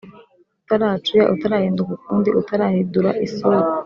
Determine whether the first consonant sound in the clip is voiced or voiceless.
voiceless